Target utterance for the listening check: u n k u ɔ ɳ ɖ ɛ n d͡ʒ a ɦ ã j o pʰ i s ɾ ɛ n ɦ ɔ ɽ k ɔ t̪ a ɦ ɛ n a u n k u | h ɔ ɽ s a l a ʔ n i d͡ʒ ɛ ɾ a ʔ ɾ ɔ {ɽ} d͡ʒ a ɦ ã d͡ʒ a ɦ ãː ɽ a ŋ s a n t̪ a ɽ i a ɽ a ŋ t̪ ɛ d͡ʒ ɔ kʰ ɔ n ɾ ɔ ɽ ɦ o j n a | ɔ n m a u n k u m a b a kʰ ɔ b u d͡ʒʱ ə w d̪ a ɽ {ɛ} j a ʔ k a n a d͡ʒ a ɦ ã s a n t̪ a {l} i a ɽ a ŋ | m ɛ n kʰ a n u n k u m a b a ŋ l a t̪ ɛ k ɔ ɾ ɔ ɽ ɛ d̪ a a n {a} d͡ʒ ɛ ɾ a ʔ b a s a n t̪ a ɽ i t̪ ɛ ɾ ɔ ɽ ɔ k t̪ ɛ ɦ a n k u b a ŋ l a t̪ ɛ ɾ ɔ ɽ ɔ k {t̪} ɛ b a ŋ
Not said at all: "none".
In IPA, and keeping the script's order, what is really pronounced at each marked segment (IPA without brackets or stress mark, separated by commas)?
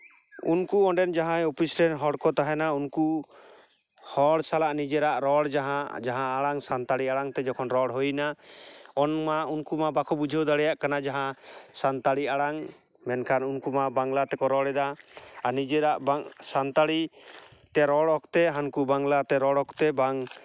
ɽ, ɛ, ɽ, i, t̪